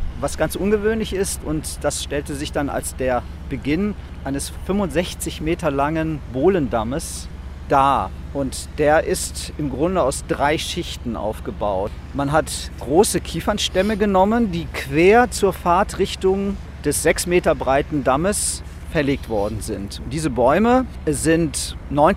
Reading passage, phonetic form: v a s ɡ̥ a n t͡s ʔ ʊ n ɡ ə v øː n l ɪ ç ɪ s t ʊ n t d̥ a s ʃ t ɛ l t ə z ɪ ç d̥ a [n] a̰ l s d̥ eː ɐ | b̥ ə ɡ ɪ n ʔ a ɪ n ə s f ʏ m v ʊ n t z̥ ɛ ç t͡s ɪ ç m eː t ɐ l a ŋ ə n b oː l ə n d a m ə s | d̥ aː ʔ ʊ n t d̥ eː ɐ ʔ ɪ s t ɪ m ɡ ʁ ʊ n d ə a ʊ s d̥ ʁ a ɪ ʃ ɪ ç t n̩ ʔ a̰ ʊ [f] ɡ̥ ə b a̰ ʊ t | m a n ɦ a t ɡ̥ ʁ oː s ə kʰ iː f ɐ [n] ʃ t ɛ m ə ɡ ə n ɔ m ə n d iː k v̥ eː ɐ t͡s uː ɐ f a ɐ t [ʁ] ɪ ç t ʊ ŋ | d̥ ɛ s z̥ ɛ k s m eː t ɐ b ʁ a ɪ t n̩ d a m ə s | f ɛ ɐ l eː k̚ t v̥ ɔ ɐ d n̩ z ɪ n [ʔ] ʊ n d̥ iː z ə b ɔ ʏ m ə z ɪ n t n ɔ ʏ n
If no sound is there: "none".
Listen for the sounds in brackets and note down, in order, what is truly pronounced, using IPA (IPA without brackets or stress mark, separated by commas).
n, f, n, ʁ, t